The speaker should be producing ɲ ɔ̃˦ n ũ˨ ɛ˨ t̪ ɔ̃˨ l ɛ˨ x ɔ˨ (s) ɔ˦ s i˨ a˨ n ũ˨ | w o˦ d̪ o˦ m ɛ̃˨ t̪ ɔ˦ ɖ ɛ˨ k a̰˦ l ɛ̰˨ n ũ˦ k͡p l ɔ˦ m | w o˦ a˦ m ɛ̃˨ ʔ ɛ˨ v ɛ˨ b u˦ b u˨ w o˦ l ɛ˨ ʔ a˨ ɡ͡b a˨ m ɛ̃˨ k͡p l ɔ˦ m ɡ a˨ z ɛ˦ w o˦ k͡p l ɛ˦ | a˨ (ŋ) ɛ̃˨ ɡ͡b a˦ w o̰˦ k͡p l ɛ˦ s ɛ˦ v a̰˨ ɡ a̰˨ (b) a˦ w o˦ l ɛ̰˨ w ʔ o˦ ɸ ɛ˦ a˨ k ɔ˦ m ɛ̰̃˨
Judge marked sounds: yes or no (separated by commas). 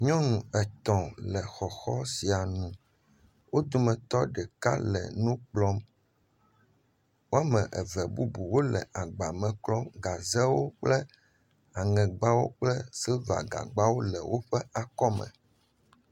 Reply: no, yes, no